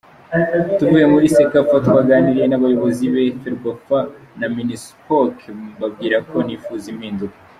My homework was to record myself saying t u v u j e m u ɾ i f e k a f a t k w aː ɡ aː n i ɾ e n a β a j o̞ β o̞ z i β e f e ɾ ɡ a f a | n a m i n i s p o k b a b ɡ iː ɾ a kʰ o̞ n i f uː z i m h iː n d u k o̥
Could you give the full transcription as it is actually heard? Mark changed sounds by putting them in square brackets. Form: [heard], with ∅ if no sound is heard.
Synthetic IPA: t u v u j e m u ɾ i [s] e k a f a t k w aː ɡ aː n i ɾ e n a β a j o̞ β o̞ z i β e f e ɾ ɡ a f a | n a m i n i s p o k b a b ɡ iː ɾ a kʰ o̞ n i f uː z i m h iː n d u k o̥